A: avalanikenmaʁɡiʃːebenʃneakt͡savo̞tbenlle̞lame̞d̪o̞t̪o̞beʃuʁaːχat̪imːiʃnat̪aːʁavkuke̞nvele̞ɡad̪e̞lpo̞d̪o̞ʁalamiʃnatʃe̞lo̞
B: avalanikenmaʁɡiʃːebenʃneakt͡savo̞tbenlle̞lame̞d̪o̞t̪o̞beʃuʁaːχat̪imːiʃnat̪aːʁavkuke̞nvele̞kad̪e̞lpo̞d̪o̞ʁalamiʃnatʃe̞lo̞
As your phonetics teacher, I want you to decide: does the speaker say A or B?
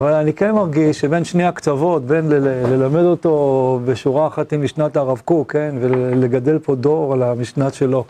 A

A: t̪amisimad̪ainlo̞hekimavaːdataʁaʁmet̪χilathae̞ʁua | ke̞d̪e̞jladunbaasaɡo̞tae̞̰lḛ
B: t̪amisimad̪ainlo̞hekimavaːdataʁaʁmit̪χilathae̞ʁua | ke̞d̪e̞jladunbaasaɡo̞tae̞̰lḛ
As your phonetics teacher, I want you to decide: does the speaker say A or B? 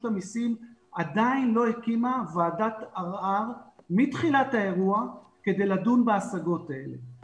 B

